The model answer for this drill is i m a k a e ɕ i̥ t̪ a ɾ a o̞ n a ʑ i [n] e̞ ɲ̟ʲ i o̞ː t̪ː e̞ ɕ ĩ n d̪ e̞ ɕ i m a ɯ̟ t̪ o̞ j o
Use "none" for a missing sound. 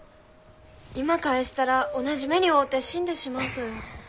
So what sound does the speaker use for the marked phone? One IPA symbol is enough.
m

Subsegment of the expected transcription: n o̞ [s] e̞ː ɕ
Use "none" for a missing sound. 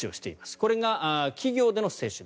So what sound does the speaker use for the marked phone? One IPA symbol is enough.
s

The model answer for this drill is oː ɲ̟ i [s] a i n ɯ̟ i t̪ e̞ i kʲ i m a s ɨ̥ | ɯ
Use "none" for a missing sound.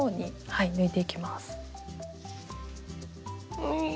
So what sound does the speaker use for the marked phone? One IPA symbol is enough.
h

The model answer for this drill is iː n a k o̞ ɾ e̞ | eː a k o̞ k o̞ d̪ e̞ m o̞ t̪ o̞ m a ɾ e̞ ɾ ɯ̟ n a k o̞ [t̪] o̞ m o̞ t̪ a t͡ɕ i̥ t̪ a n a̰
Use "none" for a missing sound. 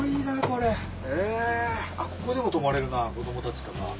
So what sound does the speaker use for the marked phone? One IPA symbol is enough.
d̪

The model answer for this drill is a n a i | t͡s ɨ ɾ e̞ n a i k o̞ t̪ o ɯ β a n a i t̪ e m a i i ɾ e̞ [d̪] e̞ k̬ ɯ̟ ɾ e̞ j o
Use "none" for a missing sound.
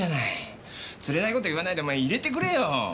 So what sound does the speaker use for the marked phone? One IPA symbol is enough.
t̪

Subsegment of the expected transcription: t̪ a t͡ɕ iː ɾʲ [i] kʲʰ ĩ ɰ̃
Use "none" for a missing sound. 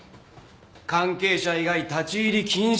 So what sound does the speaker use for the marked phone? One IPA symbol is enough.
i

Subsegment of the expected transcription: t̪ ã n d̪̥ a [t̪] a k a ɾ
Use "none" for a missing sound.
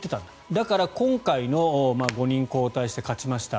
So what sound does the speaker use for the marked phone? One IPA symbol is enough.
d̪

